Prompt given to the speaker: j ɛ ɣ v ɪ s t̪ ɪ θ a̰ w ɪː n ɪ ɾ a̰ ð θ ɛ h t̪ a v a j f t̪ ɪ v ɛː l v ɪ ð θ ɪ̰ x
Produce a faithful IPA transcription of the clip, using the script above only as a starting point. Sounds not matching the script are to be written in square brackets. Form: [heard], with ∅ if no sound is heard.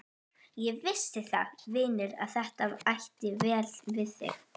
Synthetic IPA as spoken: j ɛ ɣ v ɪ s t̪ ɪ θ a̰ [v] ɪː n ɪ ɾ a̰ ð θ ɛ h t̪ a v a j [h] t̪ ɪ v ɛː l v ɪ ð θ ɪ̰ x